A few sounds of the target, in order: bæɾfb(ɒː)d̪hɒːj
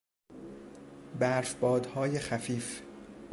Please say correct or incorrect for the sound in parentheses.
correct